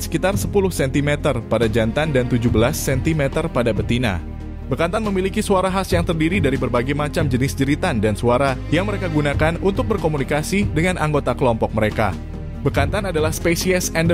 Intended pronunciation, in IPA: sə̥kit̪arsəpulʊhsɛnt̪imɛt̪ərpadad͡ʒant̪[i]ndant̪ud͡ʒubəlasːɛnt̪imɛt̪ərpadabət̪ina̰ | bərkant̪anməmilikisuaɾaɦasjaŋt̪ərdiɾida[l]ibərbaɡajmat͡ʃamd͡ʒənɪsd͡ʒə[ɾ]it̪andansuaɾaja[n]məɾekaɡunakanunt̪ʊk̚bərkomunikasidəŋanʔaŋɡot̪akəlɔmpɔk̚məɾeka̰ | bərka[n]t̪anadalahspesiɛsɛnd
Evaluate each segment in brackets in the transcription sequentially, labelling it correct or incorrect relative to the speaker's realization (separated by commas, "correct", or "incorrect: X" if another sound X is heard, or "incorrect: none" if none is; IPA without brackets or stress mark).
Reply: incorrect: a, incorrect: ɾ, correct, incorrect: ŋ, correct